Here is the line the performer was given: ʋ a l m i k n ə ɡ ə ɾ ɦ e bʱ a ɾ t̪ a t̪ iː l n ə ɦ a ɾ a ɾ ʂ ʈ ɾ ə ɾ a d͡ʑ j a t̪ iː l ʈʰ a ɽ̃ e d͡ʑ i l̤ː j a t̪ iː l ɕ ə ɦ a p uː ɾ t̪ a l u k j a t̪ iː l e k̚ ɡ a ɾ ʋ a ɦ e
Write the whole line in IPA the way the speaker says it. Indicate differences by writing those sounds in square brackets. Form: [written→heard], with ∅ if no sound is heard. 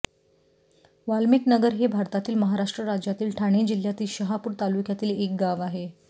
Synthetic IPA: ʋ a l m i k n ə ɡ ə ɾ ɦ e bʱ a ɾ t̪ a t̪ iː l [n→m] ə ɦ a ɾ a [ɾ→∅] ʂ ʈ ɾ ə ɾ a d͡ʑ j a t̪ iː l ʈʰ a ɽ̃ e d͡ʑ i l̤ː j a t̪ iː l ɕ ə ɦ a p uː ɾ t̪ a l u k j a t̪ iː l e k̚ ɡ a [ɾ→∅] ʋ a ɦ e